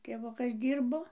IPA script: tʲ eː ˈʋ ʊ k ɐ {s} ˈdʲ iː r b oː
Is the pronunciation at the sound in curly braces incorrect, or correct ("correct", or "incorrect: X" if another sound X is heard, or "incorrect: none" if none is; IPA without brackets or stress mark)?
correct